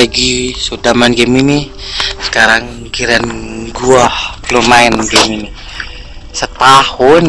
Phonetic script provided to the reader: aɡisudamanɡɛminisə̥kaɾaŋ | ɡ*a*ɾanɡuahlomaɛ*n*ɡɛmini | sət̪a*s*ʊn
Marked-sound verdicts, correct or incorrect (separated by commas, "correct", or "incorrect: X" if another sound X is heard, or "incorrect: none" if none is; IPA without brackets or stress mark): incorrect: i, correct, incorrect: h